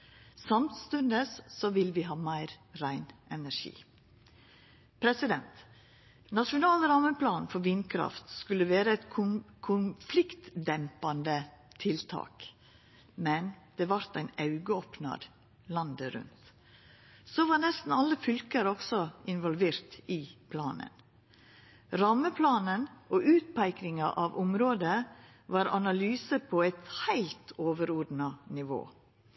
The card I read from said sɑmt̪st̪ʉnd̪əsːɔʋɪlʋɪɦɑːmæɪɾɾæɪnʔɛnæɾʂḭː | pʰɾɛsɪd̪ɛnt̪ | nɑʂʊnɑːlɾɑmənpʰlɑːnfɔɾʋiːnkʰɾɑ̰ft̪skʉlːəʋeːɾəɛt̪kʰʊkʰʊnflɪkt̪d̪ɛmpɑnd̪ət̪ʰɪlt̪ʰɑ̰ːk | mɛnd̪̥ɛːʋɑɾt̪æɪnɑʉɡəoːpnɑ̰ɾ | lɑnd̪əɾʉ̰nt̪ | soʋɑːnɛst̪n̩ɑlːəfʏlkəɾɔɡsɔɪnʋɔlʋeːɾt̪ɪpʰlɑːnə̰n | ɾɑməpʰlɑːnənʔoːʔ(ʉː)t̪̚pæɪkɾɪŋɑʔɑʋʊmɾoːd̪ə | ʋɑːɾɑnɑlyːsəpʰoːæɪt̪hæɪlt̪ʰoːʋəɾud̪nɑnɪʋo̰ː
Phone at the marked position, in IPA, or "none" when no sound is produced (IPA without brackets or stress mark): ʉː